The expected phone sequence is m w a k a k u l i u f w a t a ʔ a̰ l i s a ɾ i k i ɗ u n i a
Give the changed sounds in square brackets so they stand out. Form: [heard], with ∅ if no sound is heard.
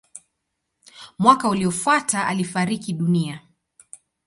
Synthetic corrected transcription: m w a k a [∅] u l i [ɔ] f w a t a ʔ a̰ l i [f] a ɾ i k i ɗ u n i a